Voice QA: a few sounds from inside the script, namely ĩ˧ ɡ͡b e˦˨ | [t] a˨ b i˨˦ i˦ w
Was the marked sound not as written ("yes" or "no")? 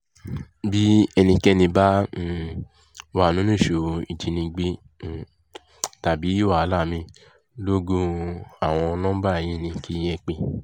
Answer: no